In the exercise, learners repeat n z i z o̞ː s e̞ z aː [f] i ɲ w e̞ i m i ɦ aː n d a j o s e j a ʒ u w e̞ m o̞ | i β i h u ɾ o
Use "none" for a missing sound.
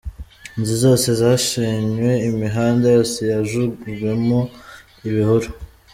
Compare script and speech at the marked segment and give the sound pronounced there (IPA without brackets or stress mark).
ʃ